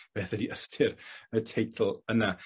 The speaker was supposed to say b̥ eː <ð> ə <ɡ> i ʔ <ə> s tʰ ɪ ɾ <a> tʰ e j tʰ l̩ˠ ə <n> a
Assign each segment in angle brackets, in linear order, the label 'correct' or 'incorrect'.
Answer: incorrect: θ, incorrect: d, correct, incorrect: ə, correct

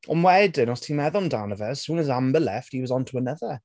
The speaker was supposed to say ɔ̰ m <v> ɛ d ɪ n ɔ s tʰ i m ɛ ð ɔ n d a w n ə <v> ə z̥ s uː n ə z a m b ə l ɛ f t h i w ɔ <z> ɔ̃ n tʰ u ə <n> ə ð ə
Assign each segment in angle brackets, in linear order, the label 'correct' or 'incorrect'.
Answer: incorrect: w, correct, correct, correct

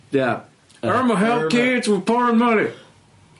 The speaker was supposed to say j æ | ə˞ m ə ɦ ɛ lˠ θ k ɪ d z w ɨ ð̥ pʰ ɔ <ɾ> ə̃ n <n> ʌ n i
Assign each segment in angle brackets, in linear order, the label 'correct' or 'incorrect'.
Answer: incorrect: ɹ, incorrect: m

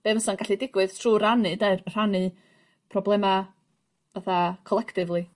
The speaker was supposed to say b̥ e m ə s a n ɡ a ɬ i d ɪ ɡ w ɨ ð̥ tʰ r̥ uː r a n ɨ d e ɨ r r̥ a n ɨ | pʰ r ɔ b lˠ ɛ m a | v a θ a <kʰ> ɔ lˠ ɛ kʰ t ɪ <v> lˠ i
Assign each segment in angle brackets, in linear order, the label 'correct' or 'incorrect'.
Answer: correct, correct

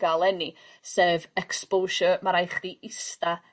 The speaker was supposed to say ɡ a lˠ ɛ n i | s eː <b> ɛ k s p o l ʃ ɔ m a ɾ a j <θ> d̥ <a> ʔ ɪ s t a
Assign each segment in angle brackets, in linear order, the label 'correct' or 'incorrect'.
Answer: incorrect: v, incorrect: χ, incorrect: i

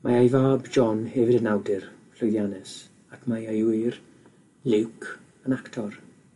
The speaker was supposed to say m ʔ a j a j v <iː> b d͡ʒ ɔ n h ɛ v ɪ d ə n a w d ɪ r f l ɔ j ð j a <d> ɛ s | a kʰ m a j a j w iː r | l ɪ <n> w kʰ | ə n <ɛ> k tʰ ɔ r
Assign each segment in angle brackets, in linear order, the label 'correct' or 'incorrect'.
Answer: incorrect: aː, incorrect: n, incorrect: none, incorrect: a

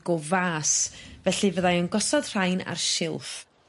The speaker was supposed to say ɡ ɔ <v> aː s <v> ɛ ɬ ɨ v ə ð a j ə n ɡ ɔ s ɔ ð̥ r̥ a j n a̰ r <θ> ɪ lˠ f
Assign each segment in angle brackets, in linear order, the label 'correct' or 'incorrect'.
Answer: correct, correct, incorrect: ʃ

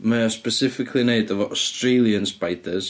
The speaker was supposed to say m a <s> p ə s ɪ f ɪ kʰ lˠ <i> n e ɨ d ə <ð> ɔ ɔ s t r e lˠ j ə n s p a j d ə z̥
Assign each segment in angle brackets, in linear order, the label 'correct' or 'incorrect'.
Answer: correct, correct, incorrect: v

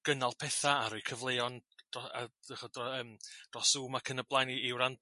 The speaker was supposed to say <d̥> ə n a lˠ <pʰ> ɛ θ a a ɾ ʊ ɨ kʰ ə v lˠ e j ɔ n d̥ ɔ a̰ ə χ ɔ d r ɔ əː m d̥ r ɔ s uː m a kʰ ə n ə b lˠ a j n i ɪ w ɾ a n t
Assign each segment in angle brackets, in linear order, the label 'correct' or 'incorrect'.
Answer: incorrect: ɡ̥, correct

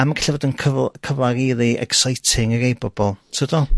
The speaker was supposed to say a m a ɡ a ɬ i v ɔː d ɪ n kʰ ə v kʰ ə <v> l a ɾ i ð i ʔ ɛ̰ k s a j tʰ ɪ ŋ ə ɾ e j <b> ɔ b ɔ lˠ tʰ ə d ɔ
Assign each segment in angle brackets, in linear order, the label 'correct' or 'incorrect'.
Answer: correct, correct

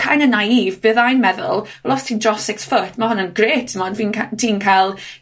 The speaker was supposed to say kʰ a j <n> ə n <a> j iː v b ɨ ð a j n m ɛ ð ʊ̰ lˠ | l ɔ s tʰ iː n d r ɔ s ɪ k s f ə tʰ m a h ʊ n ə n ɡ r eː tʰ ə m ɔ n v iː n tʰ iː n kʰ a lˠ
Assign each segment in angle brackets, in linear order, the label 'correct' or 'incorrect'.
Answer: correct, correct

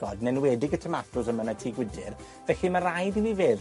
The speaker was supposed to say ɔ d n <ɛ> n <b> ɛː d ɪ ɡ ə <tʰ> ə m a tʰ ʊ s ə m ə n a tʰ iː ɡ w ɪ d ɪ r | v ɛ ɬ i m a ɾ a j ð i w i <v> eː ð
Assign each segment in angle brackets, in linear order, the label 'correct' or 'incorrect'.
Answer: correct, incorrect: w, correct, correct

